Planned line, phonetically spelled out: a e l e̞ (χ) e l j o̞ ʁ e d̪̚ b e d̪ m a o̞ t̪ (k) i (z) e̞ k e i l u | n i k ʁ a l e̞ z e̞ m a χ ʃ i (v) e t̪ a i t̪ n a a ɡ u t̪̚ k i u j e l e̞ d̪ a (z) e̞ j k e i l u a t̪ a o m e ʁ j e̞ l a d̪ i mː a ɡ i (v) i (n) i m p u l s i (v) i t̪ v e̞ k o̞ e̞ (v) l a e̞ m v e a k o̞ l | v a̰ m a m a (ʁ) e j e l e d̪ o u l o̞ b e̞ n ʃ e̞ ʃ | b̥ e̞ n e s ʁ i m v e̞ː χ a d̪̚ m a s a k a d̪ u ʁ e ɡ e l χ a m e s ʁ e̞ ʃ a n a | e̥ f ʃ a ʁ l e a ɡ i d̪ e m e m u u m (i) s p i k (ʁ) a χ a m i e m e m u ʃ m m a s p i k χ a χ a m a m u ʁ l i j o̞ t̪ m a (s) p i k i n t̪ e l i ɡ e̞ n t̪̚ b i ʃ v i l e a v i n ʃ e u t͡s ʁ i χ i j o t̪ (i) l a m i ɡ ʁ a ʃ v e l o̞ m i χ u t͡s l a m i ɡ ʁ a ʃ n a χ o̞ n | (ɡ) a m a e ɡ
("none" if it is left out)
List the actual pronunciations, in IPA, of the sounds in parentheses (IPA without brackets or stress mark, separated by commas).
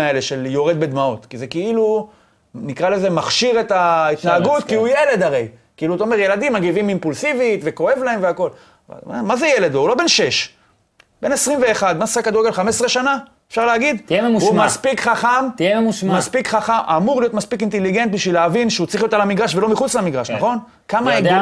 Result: ʃ, k, z, ʁ, ʁ, v, m, v, v, z, a, χ, s, a, k